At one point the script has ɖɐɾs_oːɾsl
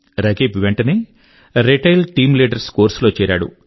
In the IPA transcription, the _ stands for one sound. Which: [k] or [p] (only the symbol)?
k